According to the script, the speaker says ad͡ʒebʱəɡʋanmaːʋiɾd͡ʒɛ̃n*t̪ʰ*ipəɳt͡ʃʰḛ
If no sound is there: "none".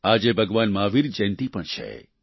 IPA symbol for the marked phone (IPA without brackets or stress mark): t̪